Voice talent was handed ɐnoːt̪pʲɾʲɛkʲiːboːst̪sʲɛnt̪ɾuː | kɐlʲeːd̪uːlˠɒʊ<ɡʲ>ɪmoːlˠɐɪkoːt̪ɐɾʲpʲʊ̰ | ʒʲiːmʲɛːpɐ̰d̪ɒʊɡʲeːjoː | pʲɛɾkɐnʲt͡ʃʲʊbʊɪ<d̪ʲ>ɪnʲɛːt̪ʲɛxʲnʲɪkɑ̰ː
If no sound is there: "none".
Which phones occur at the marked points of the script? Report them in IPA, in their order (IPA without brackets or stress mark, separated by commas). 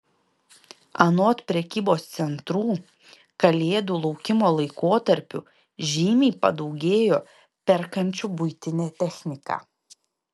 kʲ, t̪ʲ